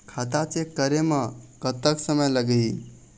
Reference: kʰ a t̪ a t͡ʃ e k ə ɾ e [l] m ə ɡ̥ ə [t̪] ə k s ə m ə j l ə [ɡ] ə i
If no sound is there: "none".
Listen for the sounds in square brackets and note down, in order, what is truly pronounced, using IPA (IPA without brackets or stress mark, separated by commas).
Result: none, t̪, ɡ